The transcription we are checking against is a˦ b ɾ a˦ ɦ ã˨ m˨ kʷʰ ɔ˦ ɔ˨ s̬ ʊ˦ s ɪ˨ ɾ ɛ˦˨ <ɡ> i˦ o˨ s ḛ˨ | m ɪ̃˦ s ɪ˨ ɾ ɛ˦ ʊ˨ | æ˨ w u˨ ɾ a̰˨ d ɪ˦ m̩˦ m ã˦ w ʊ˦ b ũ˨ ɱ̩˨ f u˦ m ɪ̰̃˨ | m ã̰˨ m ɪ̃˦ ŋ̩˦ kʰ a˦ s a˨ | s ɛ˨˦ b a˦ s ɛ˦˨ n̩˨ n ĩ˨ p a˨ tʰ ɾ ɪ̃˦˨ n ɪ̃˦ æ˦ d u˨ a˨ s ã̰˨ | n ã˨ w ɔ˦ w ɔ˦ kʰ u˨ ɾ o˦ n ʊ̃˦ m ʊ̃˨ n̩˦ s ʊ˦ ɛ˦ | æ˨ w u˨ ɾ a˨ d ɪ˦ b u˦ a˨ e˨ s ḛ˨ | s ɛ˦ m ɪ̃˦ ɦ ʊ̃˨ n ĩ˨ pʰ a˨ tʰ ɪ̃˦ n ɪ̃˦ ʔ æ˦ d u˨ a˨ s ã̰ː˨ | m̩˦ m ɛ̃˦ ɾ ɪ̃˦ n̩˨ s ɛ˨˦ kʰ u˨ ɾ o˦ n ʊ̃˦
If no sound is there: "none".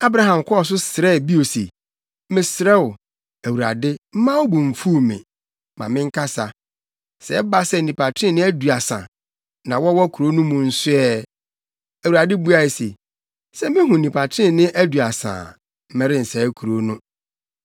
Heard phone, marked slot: b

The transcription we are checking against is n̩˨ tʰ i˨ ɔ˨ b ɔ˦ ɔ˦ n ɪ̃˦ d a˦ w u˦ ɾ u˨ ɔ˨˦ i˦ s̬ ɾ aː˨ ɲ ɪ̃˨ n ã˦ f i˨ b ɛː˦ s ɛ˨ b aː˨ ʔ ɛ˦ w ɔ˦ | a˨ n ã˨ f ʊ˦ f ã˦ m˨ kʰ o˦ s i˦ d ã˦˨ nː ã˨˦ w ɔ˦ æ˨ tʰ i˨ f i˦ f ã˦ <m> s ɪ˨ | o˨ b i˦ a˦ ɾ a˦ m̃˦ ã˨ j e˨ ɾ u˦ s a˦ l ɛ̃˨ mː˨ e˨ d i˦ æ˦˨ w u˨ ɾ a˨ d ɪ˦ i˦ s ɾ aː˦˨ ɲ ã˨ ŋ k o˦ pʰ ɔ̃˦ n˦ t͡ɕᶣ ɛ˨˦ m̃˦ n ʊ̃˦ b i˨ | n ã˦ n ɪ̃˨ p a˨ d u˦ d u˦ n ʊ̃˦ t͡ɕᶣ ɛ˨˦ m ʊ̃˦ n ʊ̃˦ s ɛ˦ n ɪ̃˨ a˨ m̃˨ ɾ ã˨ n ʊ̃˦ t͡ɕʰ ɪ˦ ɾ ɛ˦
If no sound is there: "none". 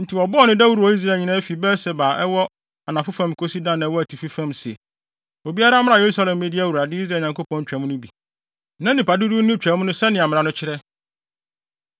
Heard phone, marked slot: m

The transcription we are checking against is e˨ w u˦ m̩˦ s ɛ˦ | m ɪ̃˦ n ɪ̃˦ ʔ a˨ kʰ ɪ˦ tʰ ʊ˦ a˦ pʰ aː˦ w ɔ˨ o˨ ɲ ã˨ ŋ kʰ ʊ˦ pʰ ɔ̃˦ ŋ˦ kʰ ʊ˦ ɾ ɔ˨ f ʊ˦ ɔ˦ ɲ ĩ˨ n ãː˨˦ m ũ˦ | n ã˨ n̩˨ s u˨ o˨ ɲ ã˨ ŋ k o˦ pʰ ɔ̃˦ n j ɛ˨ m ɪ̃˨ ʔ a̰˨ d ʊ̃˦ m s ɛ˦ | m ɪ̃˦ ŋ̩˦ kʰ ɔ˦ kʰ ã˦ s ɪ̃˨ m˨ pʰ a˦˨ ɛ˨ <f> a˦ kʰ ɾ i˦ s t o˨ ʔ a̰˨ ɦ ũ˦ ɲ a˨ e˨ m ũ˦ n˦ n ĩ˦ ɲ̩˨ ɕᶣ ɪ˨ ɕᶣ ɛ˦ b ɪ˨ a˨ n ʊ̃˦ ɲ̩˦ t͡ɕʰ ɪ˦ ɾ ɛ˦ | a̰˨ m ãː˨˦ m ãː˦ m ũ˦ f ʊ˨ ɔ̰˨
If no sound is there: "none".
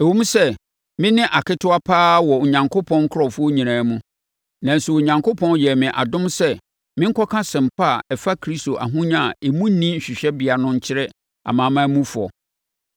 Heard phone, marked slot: f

